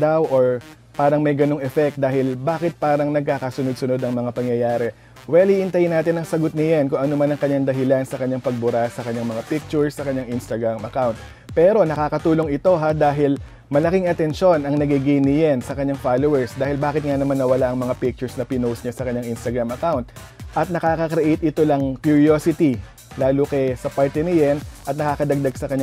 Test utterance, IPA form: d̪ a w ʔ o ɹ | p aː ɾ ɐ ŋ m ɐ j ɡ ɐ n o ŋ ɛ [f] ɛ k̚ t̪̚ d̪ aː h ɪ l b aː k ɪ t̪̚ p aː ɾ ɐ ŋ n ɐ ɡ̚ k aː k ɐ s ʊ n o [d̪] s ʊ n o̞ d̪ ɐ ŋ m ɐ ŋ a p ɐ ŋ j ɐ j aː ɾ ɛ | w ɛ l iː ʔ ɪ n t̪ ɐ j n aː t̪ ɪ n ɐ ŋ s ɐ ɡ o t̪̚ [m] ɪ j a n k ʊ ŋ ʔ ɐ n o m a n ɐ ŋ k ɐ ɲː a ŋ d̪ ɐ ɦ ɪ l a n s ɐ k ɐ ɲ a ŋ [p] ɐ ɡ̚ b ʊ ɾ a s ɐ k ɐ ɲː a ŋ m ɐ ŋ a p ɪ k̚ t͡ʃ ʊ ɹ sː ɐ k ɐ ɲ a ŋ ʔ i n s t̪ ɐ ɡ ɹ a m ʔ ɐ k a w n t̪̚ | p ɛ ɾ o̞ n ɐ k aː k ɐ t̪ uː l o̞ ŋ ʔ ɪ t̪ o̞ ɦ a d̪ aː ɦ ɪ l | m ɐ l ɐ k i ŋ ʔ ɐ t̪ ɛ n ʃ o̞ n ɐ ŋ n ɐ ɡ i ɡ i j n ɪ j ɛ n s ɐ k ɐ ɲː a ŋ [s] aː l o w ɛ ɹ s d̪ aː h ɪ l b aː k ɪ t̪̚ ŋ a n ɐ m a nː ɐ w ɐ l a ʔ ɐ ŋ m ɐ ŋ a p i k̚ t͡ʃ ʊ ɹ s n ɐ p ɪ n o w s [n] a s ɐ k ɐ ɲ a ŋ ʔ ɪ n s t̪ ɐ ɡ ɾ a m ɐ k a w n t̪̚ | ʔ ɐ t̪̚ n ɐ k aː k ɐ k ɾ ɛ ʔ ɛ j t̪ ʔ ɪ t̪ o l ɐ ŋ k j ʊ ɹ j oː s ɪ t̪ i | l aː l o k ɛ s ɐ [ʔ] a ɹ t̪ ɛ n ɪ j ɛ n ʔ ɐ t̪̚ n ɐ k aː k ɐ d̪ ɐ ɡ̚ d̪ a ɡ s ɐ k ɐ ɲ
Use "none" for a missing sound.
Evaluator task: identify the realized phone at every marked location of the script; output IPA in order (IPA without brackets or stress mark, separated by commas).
f, d̪, n, p, f, ɲ, p